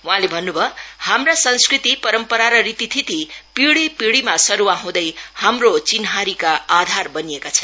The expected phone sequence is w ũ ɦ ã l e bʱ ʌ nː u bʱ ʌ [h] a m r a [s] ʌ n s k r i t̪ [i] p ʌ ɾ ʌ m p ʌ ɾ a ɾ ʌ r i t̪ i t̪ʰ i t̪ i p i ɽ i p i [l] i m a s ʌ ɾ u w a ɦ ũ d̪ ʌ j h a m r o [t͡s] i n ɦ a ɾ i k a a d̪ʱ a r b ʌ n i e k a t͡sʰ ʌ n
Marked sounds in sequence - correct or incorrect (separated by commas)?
correct, correct, correct, incorrect, correct